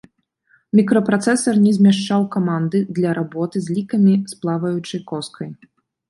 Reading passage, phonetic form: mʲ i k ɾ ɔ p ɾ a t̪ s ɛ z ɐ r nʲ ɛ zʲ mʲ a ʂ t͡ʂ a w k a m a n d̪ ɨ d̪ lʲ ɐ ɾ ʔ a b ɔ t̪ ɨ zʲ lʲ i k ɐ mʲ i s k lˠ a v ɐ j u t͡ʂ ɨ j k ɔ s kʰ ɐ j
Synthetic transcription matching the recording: mʲ i k ɾ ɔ p ɾ a t̪ s ɛ s ɐ r nʲ ɛ zʲ mʲ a ʂ t͡ʂ a w k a m a n d̪ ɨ d̪ lʲ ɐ ɾ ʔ a b ɔ t̪ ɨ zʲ lʲ i k ɐ mʲ i s p lˠ a v ɐ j u t͡ʂ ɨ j k ɔ s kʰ ɐ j